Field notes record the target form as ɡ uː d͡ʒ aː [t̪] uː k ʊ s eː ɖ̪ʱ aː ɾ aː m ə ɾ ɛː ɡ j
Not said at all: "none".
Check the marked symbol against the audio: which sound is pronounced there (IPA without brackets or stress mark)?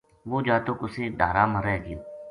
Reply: t̪